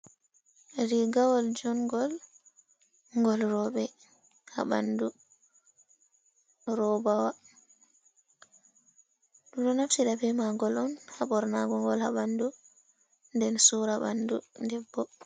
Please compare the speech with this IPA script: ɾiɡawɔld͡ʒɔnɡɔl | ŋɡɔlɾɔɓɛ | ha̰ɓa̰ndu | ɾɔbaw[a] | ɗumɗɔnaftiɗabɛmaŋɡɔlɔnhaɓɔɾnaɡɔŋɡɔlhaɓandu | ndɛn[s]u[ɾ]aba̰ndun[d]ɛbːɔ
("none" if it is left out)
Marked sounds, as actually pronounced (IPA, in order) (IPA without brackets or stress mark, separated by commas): a, s, ɾ, d